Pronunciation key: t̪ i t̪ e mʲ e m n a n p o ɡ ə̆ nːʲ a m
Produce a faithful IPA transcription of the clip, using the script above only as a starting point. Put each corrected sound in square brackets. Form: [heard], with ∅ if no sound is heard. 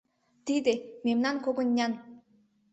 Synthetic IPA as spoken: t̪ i [d̪] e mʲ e m n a n [k] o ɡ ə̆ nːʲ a [n]